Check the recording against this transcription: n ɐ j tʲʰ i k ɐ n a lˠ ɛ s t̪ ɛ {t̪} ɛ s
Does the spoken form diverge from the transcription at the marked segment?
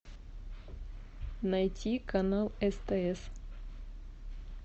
yes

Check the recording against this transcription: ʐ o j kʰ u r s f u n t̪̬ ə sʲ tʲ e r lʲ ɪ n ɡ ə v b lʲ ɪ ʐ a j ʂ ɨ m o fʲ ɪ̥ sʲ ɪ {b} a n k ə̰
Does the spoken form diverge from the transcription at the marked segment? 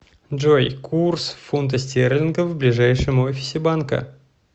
no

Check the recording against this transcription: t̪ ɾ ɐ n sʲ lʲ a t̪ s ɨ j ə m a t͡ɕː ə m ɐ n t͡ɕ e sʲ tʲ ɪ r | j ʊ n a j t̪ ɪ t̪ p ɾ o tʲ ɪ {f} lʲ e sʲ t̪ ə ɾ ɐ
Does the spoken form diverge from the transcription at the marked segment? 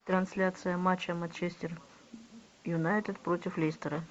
no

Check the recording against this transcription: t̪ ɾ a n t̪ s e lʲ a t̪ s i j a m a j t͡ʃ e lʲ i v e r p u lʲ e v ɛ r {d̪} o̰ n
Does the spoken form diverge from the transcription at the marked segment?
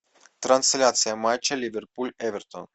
yes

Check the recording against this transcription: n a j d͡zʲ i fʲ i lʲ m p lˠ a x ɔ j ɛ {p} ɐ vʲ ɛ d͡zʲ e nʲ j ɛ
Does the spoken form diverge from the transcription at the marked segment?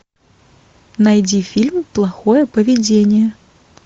no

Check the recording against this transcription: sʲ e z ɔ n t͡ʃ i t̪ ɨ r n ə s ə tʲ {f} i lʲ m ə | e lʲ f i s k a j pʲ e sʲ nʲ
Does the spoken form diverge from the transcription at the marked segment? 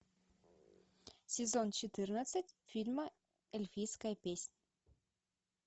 no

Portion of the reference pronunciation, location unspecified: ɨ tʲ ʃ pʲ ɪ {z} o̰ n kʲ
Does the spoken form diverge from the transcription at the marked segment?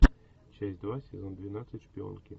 yes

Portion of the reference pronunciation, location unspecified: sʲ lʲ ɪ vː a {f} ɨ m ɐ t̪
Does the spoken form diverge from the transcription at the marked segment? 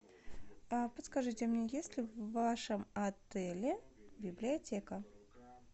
yes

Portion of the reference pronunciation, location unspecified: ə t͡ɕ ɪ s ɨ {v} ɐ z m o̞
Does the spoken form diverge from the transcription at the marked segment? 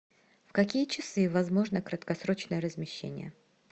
no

